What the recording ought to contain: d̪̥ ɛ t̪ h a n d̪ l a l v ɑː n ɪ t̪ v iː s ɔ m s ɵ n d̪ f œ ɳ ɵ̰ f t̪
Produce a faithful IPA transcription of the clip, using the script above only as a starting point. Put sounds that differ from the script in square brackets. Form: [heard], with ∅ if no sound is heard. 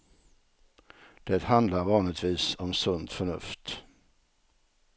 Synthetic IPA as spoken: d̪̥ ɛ t̪ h a n d̪ l a [ɾ] v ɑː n ɪ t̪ v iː s ɔ m s ɵ n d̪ f œ ɳ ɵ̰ f t̪